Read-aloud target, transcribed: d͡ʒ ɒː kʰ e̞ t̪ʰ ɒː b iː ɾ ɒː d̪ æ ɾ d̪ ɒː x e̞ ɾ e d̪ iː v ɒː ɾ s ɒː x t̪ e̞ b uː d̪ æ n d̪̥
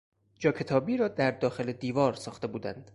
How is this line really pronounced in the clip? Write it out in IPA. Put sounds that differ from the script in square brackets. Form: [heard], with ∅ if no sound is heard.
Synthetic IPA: d͡ʒ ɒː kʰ e̞ t̪ʰ ɒː b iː ɾ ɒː d̪ æ ɾ d̪ ɒː x e̞ [l] e d̪ iː v ɒː ɾ s ɒː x t̪ e̞ b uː d̪ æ n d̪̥